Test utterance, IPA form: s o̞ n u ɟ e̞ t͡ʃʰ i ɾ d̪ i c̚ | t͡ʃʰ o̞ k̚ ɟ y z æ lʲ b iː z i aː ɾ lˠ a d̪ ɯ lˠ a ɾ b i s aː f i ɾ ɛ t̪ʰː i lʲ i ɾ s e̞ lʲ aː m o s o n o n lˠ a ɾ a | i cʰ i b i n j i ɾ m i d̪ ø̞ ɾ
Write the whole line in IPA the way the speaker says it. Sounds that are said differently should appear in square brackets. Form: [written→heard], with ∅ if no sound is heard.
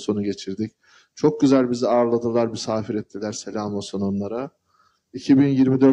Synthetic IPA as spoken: s o̞ n u ɟ e̞ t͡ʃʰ i ɾ d̪ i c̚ | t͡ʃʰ o̞ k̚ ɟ y z æ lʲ b [iː→i] z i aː ɾ lˠ a d̪ ɯ lˠ a ɾ b i s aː f i ɾ ɛ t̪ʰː i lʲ [i→æ] ɾ s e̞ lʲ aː m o s o n o n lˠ a ɾ a | i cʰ i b i n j i ɾ m i d̪ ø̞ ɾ